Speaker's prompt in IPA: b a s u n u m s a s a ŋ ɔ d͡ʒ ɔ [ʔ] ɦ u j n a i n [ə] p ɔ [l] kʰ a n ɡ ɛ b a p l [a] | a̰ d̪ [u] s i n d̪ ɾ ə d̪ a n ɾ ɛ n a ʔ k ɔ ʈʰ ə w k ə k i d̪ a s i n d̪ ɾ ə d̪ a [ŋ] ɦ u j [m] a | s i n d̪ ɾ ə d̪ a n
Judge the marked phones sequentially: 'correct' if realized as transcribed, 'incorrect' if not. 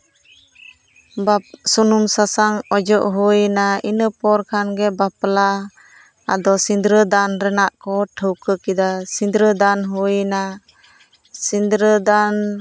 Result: correct, correct, incorrect, correct, incorrect, incorrect, incorrect

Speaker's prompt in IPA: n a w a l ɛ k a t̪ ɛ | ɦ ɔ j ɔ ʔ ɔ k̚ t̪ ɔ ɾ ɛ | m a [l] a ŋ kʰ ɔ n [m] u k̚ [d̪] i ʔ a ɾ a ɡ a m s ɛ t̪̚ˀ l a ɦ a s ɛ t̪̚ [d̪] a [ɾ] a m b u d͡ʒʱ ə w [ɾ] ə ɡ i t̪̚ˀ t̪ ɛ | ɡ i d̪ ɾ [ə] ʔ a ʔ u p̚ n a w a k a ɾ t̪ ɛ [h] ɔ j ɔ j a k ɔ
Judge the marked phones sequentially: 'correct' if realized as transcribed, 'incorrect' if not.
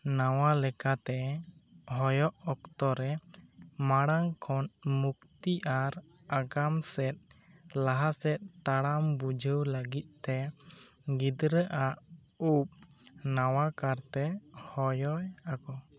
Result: incorrect, correct, incorrect, incorrect, incorrect, incorrect, correct, correct

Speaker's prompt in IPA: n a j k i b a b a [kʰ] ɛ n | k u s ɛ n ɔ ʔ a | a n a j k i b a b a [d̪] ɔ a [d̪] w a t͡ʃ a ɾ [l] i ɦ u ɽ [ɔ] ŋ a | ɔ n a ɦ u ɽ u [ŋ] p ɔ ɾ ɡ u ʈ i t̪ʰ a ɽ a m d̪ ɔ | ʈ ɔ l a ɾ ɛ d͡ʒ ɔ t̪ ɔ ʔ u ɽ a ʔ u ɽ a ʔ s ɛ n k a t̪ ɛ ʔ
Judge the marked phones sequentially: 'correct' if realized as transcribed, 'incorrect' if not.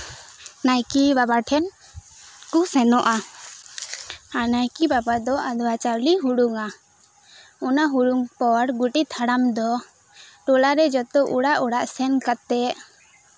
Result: incorrect, correct, correct, correct, incorrect, correct

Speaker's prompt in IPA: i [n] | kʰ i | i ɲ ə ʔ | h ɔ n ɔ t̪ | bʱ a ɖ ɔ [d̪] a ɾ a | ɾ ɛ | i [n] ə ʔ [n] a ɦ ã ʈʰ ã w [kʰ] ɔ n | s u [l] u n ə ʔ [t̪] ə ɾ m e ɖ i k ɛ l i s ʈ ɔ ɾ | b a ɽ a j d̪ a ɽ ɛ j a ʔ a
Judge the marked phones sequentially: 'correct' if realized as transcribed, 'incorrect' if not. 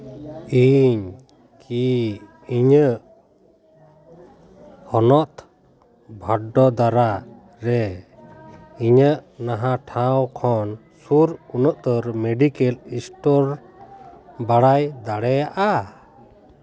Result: incorrect, correct, incorrect, correct, correct, incorrect, correct

